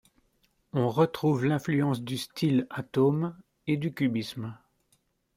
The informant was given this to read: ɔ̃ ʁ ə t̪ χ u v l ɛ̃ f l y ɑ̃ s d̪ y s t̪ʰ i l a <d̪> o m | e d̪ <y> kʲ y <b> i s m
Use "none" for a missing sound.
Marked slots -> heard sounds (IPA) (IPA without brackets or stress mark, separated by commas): t̪, y, b